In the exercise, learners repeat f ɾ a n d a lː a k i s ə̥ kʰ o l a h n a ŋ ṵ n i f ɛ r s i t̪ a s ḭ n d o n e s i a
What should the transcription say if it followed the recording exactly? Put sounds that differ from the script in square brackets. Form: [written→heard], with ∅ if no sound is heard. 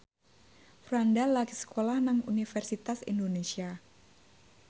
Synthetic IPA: f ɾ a n d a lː a k i s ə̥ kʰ o l a h n a ŋ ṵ n i f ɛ r s i t̪ a s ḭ n d o n e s i a